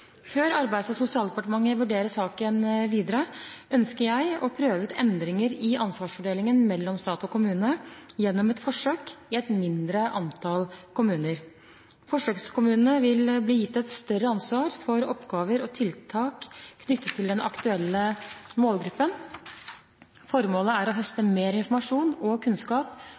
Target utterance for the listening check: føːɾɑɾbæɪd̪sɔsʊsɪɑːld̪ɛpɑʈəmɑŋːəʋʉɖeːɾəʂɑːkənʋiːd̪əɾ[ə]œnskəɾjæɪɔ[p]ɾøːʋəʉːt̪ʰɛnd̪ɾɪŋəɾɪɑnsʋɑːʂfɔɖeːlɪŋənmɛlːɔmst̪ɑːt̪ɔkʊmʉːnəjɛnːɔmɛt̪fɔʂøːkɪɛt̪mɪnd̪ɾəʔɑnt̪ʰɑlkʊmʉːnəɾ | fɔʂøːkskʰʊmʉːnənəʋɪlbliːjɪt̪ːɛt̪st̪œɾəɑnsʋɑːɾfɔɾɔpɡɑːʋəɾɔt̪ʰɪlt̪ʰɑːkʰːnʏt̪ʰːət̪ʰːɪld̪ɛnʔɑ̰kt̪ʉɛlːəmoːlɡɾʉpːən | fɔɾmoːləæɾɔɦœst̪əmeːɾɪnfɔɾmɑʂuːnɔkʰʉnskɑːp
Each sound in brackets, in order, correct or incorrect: correct, incorrect

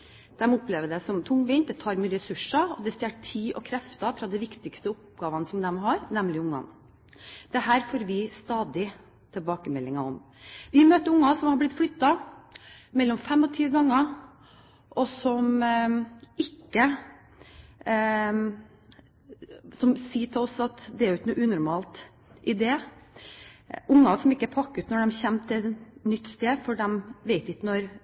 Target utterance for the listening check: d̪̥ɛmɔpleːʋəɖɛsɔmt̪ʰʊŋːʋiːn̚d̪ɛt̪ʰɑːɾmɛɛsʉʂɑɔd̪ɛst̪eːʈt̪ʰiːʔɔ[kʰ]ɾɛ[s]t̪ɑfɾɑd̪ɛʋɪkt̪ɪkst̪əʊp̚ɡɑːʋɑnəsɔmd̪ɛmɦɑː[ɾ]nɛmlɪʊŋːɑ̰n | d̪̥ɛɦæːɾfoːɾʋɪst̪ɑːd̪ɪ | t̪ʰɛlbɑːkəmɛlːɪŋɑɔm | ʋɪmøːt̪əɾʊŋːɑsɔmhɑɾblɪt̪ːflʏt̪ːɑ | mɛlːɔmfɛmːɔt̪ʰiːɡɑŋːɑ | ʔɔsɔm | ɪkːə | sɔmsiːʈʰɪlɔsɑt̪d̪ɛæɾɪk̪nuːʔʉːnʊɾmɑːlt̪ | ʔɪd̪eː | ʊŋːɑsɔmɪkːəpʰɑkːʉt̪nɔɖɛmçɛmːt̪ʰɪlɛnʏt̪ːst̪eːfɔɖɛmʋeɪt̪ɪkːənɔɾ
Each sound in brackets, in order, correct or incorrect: correct, incorrect, correct

